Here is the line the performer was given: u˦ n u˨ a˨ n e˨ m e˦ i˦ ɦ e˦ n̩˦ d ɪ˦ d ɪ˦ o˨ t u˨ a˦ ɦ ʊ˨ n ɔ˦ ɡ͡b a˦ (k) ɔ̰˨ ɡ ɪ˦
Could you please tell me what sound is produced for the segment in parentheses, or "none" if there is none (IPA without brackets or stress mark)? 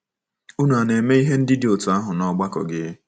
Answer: k